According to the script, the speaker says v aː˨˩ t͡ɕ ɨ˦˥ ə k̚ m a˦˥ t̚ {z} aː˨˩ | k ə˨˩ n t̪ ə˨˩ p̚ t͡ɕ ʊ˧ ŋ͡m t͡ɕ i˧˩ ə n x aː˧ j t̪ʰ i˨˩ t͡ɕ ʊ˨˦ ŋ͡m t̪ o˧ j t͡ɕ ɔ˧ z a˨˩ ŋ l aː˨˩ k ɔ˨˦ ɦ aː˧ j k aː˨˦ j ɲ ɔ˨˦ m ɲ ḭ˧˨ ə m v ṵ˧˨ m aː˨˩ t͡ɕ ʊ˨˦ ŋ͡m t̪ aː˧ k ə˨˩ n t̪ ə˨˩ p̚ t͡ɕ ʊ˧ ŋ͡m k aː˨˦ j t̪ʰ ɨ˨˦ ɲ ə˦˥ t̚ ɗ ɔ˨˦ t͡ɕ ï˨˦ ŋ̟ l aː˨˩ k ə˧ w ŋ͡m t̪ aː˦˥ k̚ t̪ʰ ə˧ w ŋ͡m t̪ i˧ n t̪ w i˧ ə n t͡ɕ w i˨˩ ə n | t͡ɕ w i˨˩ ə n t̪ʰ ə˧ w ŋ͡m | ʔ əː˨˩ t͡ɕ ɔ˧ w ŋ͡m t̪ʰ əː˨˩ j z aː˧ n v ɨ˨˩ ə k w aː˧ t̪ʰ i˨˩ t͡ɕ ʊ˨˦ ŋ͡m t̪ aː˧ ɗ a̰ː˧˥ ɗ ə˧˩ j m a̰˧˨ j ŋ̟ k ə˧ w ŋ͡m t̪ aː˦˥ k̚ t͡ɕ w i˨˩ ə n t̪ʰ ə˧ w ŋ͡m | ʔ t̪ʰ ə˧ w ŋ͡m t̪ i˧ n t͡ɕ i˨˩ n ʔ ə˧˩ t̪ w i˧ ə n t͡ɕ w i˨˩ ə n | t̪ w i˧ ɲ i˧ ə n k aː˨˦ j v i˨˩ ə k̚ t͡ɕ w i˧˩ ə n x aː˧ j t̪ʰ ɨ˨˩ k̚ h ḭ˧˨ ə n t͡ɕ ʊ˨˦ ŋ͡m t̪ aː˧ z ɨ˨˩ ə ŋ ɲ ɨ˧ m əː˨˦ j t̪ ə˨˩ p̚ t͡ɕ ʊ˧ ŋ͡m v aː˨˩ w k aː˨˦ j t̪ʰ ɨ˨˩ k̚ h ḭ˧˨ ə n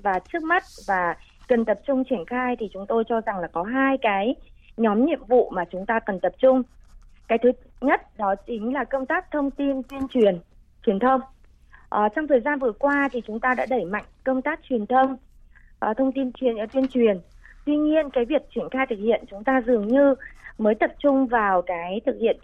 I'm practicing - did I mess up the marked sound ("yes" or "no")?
yes